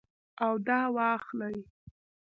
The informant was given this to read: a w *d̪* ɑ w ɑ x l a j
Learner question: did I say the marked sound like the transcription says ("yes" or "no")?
yes